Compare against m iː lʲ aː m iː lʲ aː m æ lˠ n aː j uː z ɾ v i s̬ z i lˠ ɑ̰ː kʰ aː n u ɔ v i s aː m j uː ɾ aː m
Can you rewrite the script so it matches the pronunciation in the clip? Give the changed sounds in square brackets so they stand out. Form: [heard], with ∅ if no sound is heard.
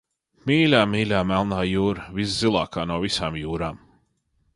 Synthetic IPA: m iː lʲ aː m iː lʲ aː m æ lˠ n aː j uː [∅] ɾ v i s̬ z i lˠ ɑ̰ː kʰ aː n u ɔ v i s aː m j uː ɾ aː m